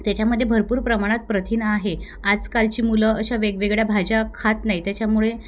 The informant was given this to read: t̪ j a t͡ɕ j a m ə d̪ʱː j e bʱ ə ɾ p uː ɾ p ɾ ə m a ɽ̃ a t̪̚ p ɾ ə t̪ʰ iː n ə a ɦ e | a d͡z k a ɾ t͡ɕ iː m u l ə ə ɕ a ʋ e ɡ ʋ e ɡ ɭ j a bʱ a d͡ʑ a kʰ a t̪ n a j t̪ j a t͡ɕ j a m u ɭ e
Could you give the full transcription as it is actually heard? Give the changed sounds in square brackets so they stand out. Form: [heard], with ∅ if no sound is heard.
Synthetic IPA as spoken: t̪ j a t͡ɕ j a m ə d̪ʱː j e bʱ ə ɾ p uː ɾ p ɾ ə m a ɽ̃ a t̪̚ p ɾ ə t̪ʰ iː n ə a ɦ e | a d͡z k a [l] t͡ɕ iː m u l ə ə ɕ a ʋ e ɡ ʋ e ɡ ɭ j a bʱ a d͡ʑ a kʰ a t̪ n a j t̪ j a t͡ɕ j a m u ɭ e